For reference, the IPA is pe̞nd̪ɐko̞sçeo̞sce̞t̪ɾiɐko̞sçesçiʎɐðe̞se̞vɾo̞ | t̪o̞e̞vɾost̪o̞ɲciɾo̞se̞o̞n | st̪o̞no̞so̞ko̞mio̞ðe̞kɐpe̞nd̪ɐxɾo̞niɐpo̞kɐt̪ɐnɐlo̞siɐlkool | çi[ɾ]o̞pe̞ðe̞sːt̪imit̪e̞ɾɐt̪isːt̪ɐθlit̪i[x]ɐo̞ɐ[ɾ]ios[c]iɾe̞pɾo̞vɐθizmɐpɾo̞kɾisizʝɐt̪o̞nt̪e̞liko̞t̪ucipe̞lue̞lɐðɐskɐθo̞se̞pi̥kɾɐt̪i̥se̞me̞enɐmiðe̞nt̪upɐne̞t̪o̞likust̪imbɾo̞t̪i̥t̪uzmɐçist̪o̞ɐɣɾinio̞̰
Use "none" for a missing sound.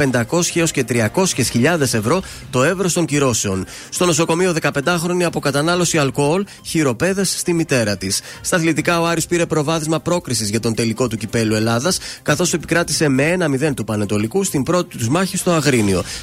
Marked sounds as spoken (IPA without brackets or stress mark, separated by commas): ɾ, k, ɾ, p